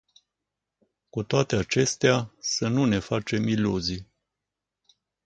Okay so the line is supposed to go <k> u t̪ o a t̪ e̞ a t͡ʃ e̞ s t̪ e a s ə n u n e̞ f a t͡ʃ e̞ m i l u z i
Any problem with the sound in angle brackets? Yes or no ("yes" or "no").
no